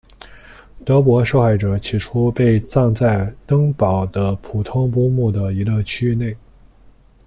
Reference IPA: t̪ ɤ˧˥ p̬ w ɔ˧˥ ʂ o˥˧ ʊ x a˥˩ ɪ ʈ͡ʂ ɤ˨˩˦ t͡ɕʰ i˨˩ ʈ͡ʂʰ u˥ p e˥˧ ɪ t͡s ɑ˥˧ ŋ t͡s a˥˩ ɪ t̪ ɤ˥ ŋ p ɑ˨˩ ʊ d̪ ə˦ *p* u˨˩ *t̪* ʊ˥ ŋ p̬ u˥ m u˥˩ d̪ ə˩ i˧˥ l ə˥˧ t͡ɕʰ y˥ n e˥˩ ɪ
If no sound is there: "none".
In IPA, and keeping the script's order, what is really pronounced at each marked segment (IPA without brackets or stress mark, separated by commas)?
pʰ, t̪ʰ